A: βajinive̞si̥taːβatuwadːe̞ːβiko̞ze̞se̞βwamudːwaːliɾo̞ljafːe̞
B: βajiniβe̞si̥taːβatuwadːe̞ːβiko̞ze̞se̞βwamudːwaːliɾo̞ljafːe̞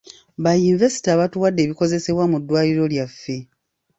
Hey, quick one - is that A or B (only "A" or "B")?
A